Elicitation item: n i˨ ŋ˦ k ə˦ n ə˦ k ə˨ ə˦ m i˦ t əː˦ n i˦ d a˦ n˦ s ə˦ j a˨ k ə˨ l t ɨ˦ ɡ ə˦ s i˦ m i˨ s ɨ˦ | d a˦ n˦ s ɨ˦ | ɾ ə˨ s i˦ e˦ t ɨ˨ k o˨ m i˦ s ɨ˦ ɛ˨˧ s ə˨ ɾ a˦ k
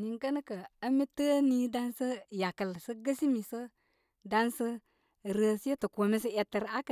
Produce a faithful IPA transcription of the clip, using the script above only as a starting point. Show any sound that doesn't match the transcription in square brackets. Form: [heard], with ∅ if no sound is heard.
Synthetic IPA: n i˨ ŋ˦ k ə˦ n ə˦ k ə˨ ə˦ m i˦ t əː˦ n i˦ d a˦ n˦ s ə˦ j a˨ k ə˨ l [s] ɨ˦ ɡ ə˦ s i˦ m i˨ s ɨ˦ | d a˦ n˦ s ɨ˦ | ɾ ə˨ s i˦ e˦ t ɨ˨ k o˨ m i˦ s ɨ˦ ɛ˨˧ [t] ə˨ ɾ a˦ k